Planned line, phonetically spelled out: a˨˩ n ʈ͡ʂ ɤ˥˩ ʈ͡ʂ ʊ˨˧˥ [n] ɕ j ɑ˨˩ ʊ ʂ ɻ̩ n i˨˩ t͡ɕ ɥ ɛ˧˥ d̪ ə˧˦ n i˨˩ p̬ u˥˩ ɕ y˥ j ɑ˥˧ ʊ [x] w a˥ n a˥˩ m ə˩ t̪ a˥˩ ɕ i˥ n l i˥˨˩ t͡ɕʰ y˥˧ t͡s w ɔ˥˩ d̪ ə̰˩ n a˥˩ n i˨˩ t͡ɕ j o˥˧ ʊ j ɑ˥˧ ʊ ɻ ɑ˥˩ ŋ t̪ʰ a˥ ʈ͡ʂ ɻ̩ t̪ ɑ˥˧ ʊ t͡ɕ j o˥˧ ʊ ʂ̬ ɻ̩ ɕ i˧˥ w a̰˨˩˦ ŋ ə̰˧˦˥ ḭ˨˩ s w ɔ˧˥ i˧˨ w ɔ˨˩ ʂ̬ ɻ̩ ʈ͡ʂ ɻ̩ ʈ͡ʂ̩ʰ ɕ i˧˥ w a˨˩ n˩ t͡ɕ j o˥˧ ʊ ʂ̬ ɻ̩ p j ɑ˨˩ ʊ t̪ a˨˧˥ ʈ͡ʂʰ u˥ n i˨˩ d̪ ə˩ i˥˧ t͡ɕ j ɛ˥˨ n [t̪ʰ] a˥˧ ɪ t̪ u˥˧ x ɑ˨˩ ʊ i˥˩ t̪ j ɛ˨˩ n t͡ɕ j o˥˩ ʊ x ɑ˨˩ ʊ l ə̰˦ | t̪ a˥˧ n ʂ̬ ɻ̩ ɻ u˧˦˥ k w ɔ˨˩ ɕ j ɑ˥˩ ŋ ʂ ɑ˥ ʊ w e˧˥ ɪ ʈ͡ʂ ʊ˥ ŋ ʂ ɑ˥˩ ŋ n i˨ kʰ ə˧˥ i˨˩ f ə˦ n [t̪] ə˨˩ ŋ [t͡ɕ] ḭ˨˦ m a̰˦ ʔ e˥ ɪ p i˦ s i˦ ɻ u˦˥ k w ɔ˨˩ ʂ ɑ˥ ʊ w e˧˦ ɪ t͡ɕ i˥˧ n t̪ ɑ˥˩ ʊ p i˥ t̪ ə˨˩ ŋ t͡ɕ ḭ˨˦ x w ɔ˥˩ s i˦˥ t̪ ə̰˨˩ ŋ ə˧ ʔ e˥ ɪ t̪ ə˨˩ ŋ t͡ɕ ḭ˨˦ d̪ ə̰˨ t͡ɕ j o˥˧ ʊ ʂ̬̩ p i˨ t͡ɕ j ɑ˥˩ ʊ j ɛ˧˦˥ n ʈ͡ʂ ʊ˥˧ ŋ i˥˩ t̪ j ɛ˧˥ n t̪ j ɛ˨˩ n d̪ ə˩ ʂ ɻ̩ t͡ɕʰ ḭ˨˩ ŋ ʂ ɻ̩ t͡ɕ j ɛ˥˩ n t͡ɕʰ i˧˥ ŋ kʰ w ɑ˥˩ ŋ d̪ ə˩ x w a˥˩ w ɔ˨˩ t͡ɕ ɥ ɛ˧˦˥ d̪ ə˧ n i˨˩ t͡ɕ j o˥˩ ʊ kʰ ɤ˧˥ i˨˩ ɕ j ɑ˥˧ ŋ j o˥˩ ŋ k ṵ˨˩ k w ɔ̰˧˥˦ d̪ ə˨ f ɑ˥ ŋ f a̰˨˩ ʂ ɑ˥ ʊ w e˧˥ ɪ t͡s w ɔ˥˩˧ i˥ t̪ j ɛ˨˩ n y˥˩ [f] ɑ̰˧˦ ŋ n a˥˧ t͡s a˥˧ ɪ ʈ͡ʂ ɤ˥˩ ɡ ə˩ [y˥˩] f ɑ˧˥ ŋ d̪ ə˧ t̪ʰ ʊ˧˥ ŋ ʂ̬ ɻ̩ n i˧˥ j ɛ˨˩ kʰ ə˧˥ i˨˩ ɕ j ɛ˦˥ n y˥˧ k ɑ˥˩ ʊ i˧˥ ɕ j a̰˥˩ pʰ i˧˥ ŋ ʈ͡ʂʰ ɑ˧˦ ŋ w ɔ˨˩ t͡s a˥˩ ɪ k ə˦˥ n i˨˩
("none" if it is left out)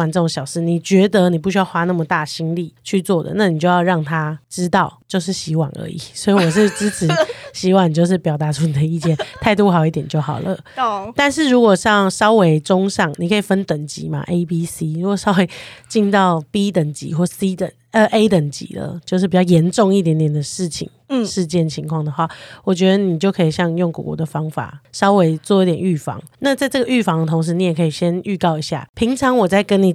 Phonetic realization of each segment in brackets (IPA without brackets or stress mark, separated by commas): ŋ, x, t̪ʰ, t̪, t͡ɕ, f, y˥˩